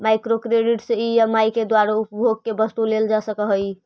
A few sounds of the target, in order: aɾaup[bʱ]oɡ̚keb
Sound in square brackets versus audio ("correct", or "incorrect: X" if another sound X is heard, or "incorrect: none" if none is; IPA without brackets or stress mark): correct